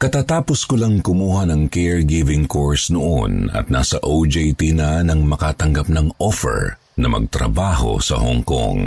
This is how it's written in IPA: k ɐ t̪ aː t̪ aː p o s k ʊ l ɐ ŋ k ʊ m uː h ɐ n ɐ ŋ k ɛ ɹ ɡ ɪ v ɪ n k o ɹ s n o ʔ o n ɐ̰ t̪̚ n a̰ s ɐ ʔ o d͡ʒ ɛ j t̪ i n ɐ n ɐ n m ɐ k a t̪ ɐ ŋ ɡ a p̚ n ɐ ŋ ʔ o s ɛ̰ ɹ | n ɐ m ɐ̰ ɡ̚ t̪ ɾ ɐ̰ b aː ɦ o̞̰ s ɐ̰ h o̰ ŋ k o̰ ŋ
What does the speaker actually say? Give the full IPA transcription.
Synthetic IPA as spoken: k ɐ t̪ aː t̪ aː p o s k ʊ l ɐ ŋ k ʊ m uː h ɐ n ɐ ŋ k ɛ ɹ ɡ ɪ v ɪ ŋ k o ɹ s n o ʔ o n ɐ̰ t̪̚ n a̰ s ɐ ʔ o d͡ʒ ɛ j t̪ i n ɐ n ɐ ŋ m ɐ k a t̪ ɐ ŋ ɡ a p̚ n ɐ ŋ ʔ o f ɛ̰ ɹ | n ɐ m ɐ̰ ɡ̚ t̪ ɾ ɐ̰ b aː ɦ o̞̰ s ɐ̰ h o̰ ŋ k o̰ ŋ